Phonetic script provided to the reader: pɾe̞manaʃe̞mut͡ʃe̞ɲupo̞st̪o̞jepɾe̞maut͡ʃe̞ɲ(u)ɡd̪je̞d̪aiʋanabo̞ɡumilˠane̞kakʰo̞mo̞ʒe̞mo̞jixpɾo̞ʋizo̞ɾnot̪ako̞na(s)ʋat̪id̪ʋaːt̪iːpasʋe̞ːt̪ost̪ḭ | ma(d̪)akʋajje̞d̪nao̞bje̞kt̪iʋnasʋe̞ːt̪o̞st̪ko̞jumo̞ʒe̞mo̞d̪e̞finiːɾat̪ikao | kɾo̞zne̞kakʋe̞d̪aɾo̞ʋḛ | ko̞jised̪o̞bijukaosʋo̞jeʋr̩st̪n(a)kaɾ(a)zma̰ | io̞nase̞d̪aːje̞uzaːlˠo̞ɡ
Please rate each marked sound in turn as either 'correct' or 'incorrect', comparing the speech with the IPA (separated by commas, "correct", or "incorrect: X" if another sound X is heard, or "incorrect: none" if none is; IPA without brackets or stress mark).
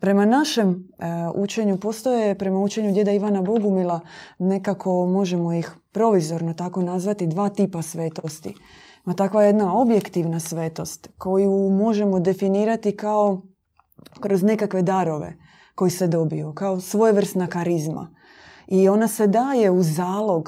correct, incorrect: z, incorrect: t̪, correct, incorrect: i